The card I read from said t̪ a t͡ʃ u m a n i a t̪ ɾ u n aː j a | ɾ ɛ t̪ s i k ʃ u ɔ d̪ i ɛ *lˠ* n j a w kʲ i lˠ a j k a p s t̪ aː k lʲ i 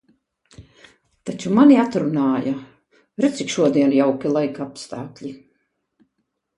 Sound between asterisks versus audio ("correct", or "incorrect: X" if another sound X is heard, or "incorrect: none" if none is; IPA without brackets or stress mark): incorrect: none